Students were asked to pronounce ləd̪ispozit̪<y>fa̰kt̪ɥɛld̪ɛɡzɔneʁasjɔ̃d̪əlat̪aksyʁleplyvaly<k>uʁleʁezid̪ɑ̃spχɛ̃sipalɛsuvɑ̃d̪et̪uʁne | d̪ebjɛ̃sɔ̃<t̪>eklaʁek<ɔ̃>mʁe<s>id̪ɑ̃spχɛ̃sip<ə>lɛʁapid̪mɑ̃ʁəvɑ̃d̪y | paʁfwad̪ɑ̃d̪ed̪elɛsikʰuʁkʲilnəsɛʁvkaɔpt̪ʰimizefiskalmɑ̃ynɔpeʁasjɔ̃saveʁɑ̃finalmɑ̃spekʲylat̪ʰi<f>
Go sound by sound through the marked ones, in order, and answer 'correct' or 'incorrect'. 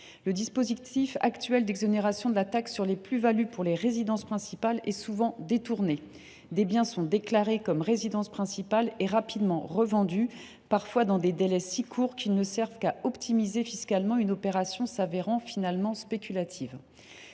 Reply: incorrect: i, incorrect: p, incorrect: d̪, incorrect: ɔ, incorrect: z, incorrect: a, incorrect: v

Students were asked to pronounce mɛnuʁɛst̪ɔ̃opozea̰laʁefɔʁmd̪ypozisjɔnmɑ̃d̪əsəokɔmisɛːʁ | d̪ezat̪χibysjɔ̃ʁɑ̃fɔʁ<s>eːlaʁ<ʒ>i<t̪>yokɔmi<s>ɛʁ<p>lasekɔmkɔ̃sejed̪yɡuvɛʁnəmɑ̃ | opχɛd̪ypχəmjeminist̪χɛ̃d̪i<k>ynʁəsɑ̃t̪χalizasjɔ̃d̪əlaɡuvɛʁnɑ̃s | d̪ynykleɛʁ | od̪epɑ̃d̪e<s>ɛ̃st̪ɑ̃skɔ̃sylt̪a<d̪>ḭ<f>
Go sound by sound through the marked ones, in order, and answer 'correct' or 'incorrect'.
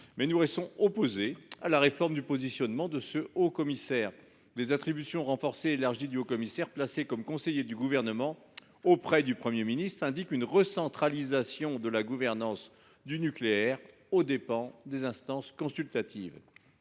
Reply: correct, correct, incorrect: d̪, correct, correct, correct, incorrect: z, incorrect: t̪, incorrect: v

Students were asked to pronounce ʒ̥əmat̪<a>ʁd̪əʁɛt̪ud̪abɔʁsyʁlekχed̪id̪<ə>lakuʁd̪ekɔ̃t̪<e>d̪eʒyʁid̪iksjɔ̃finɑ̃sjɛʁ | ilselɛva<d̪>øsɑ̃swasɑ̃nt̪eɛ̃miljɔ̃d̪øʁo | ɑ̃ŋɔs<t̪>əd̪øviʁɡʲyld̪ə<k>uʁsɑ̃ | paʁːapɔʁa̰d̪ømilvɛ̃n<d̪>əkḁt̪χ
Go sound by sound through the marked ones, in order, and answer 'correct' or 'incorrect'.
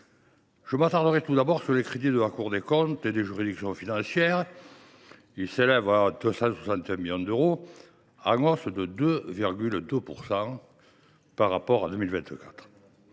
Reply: correct, correct, correct, correct, incorrect: d̪, incorrect: p, incorrect: t̪

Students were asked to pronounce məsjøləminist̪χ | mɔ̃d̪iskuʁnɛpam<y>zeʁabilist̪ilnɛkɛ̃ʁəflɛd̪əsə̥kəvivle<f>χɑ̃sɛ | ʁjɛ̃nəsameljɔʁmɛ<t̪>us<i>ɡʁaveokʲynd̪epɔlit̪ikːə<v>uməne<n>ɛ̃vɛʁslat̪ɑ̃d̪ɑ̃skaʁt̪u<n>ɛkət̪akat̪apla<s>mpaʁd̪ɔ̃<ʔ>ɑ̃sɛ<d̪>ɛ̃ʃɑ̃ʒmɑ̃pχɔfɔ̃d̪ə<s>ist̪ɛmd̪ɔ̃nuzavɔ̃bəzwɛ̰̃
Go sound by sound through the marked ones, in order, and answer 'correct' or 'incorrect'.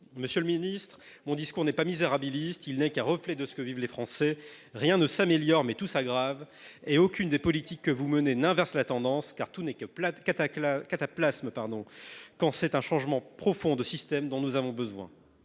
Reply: incorrect: i, correct, correct, incorrect: a, correct, correct, correct, correct, incorrect: k, incorrect: t̪, correct

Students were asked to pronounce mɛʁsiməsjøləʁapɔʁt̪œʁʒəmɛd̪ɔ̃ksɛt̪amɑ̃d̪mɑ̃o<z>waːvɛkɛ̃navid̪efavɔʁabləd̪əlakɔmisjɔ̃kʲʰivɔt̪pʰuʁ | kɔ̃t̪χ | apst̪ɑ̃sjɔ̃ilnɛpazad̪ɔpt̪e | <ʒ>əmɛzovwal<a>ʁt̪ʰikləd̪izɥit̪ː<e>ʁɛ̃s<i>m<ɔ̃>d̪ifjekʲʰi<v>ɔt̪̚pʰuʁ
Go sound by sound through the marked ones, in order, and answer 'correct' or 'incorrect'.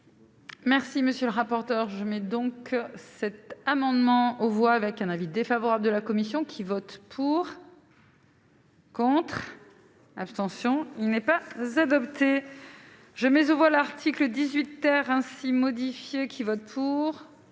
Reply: incorrect: v, correct, correct, incorrect: ɛ, correct, incorrect: ɔ, correct

